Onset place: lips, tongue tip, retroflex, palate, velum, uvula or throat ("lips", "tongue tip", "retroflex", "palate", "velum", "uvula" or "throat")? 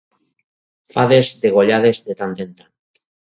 lips